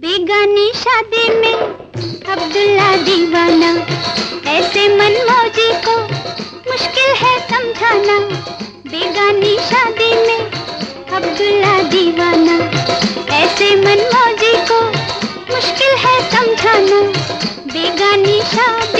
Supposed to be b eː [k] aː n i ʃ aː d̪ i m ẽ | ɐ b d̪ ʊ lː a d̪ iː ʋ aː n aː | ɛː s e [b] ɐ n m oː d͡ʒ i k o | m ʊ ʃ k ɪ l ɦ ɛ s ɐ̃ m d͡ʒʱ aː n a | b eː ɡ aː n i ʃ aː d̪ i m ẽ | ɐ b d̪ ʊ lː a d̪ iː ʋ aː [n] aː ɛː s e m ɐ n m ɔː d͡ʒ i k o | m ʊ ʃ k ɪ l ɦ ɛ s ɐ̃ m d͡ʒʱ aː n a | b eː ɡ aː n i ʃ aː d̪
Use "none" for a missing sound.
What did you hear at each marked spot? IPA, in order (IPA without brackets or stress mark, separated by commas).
ɡ, m, n